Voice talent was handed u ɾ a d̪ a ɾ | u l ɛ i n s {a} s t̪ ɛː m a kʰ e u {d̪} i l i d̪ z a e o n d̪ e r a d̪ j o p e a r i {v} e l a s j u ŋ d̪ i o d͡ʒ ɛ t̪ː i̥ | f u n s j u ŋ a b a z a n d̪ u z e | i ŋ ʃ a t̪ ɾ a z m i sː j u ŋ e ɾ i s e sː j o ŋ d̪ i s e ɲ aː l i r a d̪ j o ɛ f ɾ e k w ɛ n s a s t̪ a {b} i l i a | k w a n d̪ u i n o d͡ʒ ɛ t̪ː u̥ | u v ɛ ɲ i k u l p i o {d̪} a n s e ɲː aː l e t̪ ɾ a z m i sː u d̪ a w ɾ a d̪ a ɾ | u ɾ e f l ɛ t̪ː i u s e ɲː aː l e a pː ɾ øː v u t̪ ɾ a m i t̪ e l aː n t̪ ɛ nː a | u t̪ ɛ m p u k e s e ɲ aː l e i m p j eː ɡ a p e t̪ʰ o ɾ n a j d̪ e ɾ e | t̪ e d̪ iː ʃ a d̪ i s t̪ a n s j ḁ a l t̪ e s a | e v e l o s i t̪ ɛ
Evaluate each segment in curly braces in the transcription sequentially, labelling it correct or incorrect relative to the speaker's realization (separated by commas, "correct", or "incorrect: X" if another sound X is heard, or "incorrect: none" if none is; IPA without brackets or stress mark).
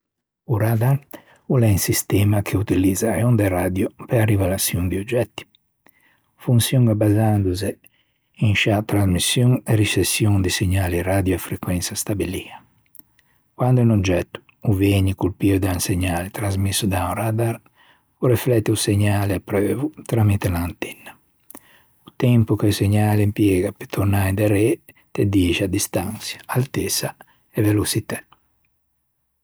incorrect: i, incorrect: t̪, correct, correct, correct